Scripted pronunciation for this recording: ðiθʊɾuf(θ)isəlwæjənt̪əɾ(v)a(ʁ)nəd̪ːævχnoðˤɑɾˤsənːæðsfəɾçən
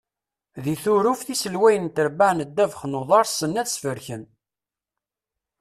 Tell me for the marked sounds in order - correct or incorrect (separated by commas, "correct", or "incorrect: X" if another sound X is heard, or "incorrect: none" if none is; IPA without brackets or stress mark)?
correct, incorrect: b, incorrect: ʕ